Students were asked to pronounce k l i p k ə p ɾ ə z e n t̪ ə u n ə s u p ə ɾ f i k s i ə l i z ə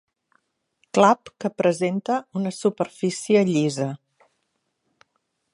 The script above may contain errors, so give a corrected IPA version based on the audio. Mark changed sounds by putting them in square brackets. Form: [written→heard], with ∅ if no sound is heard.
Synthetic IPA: k l [i→a] p k ə p ɾ ə z e n t̪ ə u n ə s u p ə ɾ f i [k→∅] s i ə [l→ʎ] i z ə